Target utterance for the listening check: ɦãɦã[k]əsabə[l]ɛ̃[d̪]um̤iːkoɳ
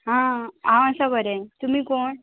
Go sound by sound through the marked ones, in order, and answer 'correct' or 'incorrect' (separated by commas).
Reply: incorrect, incorrect, incorrect